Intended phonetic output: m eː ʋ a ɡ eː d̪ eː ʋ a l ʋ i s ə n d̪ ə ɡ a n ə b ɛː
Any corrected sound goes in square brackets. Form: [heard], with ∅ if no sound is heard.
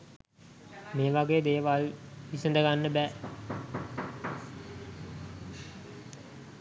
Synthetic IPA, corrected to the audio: m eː ʋ a ɡ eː d̪ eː ʋ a l ʋ i s ə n d̪ ə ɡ a [nː] ə b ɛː